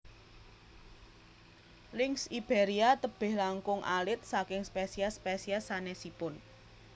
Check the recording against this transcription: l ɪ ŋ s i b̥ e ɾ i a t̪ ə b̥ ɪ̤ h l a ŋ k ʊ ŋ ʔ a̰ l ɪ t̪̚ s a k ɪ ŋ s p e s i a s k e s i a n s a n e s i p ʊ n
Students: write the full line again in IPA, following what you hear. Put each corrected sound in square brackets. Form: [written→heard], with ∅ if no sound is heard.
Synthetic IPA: l ɪ ŋ s i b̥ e ɾ i a t̪ ə b̥ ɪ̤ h l a ŋ k ʊ ŋ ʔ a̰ l ɪ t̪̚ s a k ɪ ŋ s p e s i a s [k→p] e s i a [n→∅] s a n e s i p ʊ n